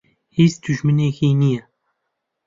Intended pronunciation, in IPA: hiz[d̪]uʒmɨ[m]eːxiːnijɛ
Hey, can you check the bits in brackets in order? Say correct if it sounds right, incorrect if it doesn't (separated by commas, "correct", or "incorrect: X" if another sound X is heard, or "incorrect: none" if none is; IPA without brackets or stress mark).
correct, incorrect: n